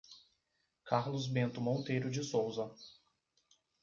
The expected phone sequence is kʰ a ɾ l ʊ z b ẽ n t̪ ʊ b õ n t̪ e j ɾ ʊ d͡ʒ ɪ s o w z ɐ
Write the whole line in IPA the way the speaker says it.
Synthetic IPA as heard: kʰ a ɾ l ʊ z b ẽ n t̪ ʊ m õ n t̪ e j ɾ ʊ d͡ʒ ɪ s o w z ɐ